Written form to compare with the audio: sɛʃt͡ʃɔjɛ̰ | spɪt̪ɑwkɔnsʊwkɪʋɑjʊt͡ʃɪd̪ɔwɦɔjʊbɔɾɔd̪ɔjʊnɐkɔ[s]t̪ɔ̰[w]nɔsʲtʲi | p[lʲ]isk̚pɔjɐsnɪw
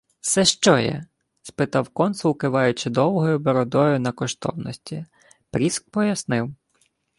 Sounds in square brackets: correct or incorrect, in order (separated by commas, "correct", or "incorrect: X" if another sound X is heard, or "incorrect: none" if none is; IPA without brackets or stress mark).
incorrect: ʃ, correct, incorrect: ɾʲ